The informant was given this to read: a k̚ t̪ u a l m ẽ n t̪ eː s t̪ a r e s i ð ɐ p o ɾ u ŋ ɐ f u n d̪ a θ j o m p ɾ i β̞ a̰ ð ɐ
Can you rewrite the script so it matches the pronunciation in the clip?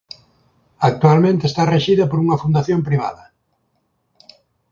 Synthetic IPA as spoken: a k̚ t̪ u a l m ẽ n t̪ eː s t̪ a r e ʃ i ð ɐ p o ɾ u ŋ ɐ f u n d̪ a θ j o m p ɾ i β̞ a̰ ð ɐ